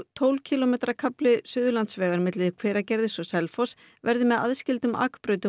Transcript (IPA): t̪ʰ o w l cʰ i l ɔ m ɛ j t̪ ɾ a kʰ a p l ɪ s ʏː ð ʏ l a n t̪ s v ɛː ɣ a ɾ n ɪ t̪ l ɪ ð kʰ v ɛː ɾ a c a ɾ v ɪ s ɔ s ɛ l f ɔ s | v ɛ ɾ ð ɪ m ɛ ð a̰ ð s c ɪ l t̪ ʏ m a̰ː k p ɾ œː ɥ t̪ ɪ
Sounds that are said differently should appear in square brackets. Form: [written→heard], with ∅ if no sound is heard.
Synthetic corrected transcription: t̪ʰ o w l cʰ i l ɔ m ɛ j t̪ ɾ a kʰ a p l ɪ s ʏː ð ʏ l a n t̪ s v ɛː ɣ a ɾ [n→m] ɪ t̪ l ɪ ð kʰ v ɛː ɾ a c [a→ɛ] ɾ [v→ð] ɪ s ɔ s ɛ l f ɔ s | v ɛ ɾ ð ɪ m ɛ ð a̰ ð s c ɪ l t̪ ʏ m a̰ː k p ɾ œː ɥ t̪ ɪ

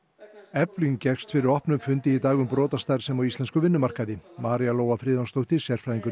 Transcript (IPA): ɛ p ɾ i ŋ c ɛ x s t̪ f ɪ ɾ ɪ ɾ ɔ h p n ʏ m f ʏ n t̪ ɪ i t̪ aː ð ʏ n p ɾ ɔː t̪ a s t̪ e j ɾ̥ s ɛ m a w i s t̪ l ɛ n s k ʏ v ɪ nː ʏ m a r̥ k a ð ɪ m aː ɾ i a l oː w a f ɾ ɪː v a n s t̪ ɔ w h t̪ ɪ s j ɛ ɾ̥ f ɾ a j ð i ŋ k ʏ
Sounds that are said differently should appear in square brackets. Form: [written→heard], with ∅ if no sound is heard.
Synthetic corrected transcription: ɛ p [ɾ→l] i ŋ c ɛ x s t̪ f ɪ ɾ ɪ ɾ ɔ h p n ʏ m f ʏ n t̪ ɪ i t̪ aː [ð→ɣ] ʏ [n→m] p ɾ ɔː t̪ a s t̪ [e→a] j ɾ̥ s ɛ m a w i s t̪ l ɛ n s k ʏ v ɪ nː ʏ m a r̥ k a ð ɪ m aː ɾ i a l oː w a f ɾ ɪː [v→ð] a n s t̪ [ɔ→o] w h t̪ ɪ s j ɛ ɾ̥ f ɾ a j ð i ŋ k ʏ

